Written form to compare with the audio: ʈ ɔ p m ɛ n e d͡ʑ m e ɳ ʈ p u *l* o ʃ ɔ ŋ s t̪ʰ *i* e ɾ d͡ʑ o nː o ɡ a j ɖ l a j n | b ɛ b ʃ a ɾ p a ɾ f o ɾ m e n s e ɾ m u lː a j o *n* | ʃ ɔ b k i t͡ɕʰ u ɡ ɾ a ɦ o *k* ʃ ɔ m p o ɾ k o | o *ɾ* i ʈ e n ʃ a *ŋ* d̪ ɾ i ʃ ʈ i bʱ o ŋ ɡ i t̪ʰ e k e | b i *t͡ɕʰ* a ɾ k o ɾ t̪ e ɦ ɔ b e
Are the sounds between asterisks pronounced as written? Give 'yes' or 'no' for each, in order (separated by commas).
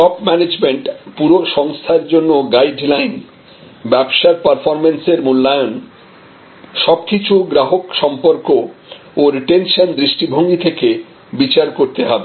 no, no, yes, yes, yes, no, no